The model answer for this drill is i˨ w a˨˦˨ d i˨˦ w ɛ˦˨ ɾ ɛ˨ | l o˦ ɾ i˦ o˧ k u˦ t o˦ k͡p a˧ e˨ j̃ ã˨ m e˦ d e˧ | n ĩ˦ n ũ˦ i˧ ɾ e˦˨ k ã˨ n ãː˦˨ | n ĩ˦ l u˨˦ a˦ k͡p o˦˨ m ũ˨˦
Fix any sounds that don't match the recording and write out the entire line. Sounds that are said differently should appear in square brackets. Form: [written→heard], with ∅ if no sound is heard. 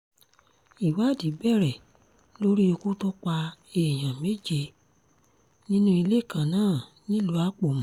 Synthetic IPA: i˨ w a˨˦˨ d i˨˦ [w→b] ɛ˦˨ ɾ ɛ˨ | l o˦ ɾ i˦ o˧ k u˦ t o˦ k͡p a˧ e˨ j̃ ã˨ m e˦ [d→d͡ʒ] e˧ | n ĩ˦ n ũ˦ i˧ [ɾ→l] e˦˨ k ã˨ n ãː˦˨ | n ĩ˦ l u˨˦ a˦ k͡p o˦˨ m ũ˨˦